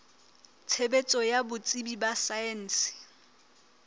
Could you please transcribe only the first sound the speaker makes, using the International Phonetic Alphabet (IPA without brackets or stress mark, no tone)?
t͡sʰ